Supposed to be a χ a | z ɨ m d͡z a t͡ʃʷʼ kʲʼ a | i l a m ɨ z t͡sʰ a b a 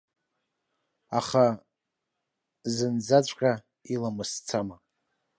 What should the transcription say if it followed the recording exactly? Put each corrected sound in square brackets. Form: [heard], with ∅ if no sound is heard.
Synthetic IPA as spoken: a χ a | z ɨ [n] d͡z a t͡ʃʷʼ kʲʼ a | i l a m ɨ [s] t͡sʰ a [m] a